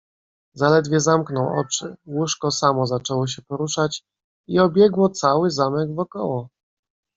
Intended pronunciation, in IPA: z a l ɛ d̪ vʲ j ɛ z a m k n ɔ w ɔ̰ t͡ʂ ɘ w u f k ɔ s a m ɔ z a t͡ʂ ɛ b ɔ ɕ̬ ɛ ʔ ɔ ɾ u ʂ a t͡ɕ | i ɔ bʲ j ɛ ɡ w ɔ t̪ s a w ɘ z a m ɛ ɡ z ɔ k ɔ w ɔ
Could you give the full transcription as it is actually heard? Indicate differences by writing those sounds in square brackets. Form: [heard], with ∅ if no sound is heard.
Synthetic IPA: z a l ɛ d̪ vʲ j ɛ z a m k n ɔ w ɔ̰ t͡ʂ ɘ w u [ʂ] k ɔ s a m ɔ z a t͡ʂ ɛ [w] ɔ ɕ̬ ɛ [p] ɔ ɾ u ʂ a t͡ɕ | i ɔ bʲ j ɛ ɡ w ɔ t̪ s a w ɘ z a m ɛ ɡ [v] ɔ k ɔ w ɔ